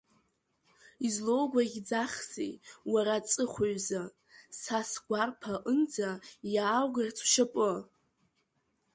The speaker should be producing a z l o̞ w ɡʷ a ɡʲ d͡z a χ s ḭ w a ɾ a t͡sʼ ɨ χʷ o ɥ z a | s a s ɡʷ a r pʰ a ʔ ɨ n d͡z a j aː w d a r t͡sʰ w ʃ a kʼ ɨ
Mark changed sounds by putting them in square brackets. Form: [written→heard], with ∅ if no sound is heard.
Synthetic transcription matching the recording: [a→i] z l o̞ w ɡʷ a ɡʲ d͡z a χ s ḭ w a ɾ a t͡sʼ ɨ χʷ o ɥ z a | s a s ɡʷ a r pʰ a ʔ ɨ n d͡z a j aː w [d→ɡ] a r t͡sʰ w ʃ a [kʼ→pʼ] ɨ